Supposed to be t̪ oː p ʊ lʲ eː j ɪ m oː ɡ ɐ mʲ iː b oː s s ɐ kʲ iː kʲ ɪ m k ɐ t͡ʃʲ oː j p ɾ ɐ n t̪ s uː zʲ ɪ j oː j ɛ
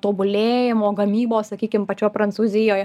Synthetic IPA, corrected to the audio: t̪ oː b ʊ lʲ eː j ɪ m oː ɡ ɐ mʲ iː b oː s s ɐ kʲ iː kʲ ɪ m p ɐ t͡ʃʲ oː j p ɾ ɐ n t̪ s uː zʲ ɪ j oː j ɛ